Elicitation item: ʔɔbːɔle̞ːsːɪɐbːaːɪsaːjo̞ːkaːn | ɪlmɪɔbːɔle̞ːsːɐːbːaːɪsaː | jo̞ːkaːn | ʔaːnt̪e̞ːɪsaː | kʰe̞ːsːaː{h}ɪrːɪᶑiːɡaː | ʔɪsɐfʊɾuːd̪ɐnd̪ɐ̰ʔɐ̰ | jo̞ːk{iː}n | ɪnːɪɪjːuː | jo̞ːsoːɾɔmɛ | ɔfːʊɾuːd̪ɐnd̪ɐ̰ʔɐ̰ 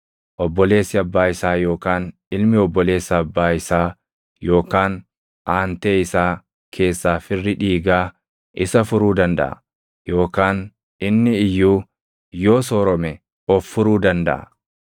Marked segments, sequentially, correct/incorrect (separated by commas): incorrect, incorrect